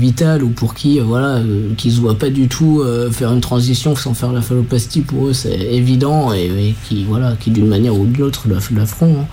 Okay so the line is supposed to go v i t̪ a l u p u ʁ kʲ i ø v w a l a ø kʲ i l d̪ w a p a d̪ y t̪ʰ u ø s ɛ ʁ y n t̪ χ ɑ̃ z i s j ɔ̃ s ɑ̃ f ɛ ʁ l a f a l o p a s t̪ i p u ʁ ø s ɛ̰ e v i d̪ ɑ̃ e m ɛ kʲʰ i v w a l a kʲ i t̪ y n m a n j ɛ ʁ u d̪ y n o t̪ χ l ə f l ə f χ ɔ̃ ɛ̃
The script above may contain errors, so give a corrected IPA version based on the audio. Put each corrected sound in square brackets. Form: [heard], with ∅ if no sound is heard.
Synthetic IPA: v i t̪ a l u p u ʁ kʲ i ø v w a l a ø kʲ i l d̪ w a p a d̪ y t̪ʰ u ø [f] ɛ ʁ y n t̪ χ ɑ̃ z i s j ɔ̃ s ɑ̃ f ɛ ʁ l a f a l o p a s t̪ i p u ʁ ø s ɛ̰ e v i d̪ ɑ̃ e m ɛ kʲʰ i v w a l a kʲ i [d̪] y n m a n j ɛ ʁ u d̪ y n o t̪ χ l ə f l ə f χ ɔ̃ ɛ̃